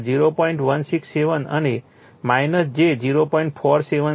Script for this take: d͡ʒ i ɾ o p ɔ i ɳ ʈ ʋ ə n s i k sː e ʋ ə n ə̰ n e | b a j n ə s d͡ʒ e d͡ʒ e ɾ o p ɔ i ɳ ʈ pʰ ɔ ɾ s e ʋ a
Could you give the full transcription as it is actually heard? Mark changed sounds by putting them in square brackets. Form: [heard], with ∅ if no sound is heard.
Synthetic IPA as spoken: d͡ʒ i ɾ o p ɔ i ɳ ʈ ʋ ə n s i k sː e ʋ ə n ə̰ n e | [m] a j n ə s d͡ʒ e d͡ʒ [i] ɾ o p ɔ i ɳ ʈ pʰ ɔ ɾ s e ʋ [ə]